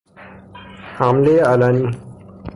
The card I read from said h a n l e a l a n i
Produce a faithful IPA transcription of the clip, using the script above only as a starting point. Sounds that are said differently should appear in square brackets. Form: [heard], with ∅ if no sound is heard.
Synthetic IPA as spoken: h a [m] l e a l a n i